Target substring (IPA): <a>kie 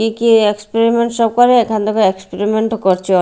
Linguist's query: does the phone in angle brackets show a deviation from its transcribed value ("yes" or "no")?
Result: yes